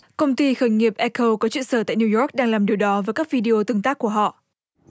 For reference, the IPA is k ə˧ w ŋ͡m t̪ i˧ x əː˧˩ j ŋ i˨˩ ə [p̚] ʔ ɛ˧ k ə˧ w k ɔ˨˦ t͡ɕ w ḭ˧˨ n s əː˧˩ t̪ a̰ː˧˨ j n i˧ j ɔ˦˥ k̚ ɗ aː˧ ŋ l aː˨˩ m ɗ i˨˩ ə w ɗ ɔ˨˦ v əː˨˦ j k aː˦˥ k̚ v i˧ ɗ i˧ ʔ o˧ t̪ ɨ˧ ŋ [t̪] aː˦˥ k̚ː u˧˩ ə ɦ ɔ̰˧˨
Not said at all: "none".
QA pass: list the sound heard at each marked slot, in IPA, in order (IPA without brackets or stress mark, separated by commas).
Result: p̚, t̪